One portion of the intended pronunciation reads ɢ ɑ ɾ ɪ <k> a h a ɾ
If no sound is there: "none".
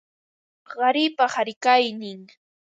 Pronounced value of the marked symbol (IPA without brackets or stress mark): p